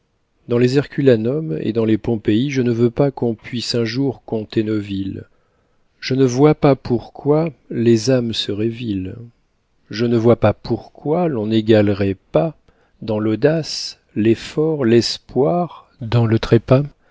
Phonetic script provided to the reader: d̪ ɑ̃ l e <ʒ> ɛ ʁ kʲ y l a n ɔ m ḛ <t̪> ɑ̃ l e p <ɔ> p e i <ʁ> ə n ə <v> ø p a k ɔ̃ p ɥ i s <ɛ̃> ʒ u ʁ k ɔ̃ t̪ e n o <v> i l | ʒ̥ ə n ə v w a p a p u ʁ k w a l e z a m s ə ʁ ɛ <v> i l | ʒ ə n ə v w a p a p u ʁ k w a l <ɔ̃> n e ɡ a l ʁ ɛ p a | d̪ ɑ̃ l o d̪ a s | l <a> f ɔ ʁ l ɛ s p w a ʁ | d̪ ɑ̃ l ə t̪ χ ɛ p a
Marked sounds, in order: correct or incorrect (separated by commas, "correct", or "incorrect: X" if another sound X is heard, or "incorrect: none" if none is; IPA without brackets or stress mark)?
incorrect: z, incorrect: d̪, incorrect: ɔ̃, incorrect: ʒ, correct, correct, correct, correct, correct, incorrect: ɛ